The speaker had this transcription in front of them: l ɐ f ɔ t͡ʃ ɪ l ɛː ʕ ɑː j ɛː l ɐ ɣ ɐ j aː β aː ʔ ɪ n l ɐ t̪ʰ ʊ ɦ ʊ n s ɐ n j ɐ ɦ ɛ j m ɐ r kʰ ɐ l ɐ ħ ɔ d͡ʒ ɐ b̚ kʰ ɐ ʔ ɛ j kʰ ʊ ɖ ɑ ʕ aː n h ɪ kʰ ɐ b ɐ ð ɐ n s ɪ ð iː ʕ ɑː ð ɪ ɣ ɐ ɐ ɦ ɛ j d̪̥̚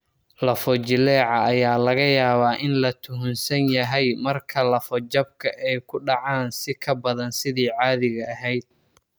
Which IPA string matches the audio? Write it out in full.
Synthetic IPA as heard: l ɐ f ɔ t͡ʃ ɪ l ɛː ʕ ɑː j aː l ɐ ɣ ɐ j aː β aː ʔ ɪ n l ɐ t̪ʰ ʊ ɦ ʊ n s ɐ n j ɐ ɦ ɛ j m ɐ r kʰ ɐ l ɐ f ɔ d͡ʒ ɐ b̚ kʰ ɐ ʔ ɛ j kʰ ʊ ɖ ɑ ʕ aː n s ɪ kʰ ɐ b ɐ ð ɐ n s ɪ ð iː ʕ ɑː ð ɪ ɣ ɐ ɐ ɦ ɛ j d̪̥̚

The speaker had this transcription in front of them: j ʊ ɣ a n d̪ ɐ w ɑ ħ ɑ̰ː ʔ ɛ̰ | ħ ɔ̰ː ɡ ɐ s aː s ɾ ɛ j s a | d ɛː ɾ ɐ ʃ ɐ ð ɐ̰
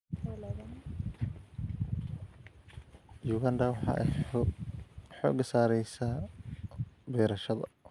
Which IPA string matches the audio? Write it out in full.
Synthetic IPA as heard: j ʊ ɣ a n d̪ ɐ w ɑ ħ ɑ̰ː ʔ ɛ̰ | ħ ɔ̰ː ɡ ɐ s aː ɾ ɛ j s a | b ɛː ɾ ɐ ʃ ɐ ð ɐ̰

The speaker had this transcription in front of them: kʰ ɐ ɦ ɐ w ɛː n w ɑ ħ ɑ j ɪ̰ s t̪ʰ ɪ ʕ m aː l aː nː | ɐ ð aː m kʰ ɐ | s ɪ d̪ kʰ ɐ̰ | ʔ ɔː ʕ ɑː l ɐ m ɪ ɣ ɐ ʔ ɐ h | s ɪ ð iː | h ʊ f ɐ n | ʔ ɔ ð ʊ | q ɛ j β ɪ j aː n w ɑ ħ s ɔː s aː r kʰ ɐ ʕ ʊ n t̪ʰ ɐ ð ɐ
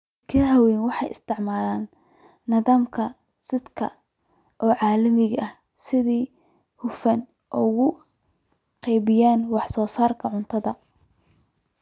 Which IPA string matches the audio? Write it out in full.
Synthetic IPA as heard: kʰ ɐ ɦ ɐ w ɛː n w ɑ ħ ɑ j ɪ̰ s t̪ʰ ɪ ʕ m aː l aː nː | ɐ ð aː m kʰ ɐ | s ɪ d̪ kʰ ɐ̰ | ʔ ɔː ʕ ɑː l ɐ m ɪ ɣ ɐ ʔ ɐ h | s ɪ ð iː | h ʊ f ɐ n | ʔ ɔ ɣ ʊ | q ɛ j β ɪ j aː n w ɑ ħ s ɔː s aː r kʰ ɐ ʕ ʊ n t̪ʰ ɐ ð ɐ

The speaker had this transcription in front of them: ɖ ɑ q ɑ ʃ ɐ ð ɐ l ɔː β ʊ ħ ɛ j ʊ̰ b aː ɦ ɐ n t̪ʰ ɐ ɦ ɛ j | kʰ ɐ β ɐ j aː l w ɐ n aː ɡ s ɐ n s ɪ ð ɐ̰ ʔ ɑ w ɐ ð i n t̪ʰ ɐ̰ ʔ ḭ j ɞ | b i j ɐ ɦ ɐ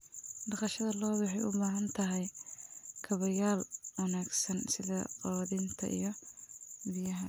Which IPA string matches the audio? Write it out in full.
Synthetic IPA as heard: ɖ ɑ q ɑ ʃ ɐ ð ɐ l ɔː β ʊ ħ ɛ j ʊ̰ b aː ɦ ɐ n t̪ʰ ɐ ɦ ɛ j | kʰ ɐ β ɐ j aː l w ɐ n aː ɡ s ɐ n s ɪ ð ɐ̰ q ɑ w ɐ ð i n t̪ʰ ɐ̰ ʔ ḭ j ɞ | b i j ɐ ɦ ɐ

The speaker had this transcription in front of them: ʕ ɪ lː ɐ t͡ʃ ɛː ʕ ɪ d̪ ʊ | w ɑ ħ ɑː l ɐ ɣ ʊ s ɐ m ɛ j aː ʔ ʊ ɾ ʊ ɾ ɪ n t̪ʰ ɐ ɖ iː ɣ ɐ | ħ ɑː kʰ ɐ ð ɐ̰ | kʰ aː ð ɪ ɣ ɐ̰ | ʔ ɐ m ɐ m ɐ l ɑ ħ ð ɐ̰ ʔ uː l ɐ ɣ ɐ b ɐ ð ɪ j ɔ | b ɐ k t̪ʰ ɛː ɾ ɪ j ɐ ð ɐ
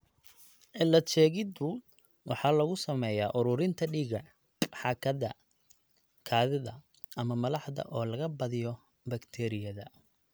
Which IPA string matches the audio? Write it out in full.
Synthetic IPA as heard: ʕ ɪ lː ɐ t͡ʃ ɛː ɣ ɪ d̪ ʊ | w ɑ ħ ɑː l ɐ ɣ ʊ s ɐ m ɛ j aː ʔ ʊ ɾ ʊ ɾ ɪ n t̪ʰ ɐ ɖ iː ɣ ɐ | ħ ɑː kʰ ɐ ð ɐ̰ | kʰ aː ð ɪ ð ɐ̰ | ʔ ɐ m ɐ m ɐ l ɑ ħ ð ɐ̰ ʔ ɔː l ɐ ɣ ɐ b ɐ ð ɪ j ɔ | b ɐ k t̪ʰ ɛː ɾ ɪ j ɐ ð ɐ

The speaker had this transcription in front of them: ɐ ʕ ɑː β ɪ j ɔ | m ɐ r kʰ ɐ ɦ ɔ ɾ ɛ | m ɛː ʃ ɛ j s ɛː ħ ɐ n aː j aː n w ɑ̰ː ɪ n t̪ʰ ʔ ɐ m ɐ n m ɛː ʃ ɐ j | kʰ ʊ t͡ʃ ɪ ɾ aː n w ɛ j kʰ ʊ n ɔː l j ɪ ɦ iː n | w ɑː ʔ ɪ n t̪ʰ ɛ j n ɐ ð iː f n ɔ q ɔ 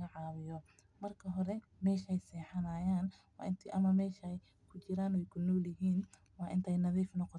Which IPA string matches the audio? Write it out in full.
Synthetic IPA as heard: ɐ ʕ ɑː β ɪ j ɔ | m ɐ r kʰ ɐ ɦ ɔ ɾ ɛ | m ɛː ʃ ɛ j s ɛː ħ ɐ n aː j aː n w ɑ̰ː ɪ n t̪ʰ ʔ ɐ m ɐ m ɛː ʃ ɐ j | kʰ ʊ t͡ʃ ɪ ɾ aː n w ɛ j kʰ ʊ n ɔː l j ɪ ɦ iː n | w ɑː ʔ ɪ n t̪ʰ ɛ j n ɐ ð iː f n ɔ q ɔ

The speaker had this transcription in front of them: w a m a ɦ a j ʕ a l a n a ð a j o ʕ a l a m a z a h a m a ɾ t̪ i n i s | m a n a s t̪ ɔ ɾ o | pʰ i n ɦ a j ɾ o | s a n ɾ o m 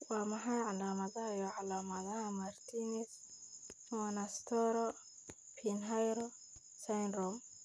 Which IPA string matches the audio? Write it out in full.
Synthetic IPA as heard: w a m a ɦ a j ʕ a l a m a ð a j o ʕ a l a m a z a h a m a ɾ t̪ i n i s | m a n a s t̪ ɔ ɾ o | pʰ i n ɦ a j ɾ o | s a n ɾ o m

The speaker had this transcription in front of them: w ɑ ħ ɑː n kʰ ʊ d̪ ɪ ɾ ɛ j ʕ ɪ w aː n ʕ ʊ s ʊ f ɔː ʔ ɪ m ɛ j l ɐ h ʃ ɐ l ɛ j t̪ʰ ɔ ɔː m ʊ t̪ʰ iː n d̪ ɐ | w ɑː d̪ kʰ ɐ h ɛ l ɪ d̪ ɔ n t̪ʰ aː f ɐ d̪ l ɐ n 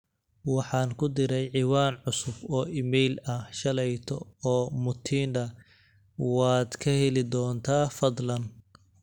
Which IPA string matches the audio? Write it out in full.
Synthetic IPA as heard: w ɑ ħ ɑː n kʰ ʊ d̪ ɪ ɾ ɛ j ʕ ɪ w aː n ʕ ʊ s ʊ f ɔː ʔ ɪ m ɛ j l ɐ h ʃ ɐ l ɛ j t̪ʰ ɔ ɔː m ʊ t̪ʰ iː n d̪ ɐ | w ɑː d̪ kʰ ɐ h ɛ l ɪ d̪ ɔː n t̪ʰ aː f ɐ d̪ l ɐ n

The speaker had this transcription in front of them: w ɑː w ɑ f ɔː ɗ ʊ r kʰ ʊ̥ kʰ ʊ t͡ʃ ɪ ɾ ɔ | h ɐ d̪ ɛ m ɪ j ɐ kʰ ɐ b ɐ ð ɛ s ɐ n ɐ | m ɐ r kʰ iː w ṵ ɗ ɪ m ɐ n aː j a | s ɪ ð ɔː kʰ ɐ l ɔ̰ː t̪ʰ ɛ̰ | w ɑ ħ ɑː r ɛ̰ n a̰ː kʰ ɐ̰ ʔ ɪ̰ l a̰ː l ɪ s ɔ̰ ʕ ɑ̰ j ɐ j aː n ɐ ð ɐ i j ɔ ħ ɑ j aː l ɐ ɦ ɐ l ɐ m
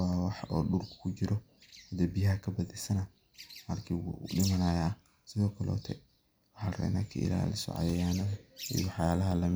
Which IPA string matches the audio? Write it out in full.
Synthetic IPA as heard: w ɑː w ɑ ħ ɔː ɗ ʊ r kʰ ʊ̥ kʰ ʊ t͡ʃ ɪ ɾ ɔ | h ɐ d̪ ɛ b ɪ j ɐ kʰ ɐ b ɐ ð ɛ s ɐ n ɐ | m ɐ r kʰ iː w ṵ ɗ ɪ m ɐ n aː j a | s ɪ ð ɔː kʰ ɐ l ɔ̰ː t̪ʰ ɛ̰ | w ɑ ħ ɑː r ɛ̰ n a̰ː kʰ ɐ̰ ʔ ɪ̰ l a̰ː l ɪ s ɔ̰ ʕ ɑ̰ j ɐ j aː n ɐ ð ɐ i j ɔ ħ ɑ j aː l ɐ ɦ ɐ l ɐ m

